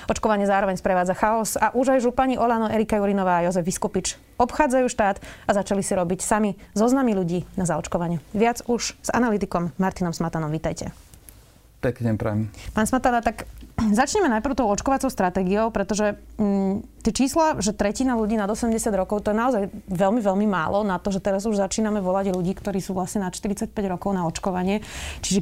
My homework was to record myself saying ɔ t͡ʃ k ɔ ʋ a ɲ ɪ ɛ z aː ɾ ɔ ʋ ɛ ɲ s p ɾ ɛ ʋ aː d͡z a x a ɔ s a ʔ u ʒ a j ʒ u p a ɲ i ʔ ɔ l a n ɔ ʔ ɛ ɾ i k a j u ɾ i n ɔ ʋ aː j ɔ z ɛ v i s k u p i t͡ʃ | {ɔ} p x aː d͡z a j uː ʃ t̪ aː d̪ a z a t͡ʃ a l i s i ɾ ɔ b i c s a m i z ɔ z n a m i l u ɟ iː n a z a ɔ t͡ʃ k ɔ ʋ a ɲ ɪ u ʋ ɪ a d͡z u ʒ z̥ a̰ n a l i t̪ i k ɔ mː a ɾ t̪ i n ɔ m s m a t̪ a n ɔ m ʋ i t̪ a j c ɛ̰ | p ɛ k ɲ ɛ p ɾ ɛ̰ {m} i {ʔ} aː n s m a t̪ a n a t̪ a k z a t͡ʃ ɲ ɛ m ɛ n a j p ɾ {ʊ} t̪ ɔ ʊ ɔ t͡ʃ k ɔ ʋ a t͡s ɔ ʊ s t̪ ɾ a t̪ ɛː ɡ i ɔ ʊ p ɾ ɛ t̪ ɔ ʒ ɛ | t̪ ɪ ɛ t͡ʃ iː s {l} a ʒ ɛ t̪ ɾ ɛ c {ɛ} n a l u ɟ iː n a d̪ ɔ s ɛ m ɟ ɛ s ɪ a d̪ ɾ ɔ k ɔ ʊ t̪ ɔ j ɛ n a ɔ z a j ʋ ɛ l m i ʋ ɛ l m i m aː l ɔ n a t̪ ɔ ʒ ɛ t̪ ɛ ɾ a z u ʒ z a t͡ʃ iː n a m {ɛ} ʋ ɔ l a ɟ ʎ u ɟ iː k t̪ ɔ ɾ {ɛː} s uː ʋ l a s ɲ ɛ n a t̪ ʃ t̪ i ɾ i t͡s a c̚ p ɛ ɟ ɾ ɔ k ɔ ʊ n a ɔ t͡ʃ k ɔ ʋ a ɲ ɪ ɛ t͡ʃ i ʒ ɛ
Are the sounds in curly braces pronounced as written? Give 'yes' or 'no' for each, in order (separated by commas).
yes, yes, no, yes, yes, no, yes, no